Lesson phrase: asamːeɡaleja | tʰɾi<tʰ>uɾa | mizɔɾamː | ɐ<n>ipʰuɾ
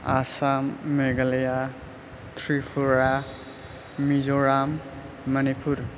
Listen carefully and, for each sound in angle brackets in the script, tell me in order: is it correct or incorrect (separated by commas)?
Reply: incorrect, correct